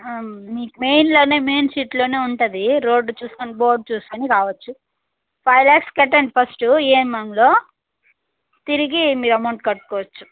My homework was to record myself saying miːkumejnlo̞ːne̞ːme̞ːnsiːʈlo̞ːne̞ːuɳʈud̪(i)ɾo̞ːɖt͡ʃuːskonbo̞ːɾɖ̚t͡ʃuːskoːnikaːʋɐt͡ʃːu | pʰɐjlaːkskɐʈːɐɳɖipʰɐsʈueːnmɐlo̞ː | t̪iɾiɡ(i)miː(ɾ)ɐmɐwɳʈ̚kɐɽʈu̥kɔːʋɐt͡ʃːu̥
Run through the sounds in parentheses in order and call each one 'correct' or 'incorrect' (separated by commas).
correct, correct, correct